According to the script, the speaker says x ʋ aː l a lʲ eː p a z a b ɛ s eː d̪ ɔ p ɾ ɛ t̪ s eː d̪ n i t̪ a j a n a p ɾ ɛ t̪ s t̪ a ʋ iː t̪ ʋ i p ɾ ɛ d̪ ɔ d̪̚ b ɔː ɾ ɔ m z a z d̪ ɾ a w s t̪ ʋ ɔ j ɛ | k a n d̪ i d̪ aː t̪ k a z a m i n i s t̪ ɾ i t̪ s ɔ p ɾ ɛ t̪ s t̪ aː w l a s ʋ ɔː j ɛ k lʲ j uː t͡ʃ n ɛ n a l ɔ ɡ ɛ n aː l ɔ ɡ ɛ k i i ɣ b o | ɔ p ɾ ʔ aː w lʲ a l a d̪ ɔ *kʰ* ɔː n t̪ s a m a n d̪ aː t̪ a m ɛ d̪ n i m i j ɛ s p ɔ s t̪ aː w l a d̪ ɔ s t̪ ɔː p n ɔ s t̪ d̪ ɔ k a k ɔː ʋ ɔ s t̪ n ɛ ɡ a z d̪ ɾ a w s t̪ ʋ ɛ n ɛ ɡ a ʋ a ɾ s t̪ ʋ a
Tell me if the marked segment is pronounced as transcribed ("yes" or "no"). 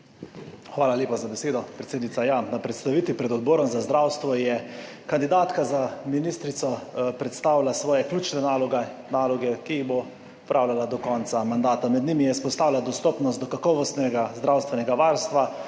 no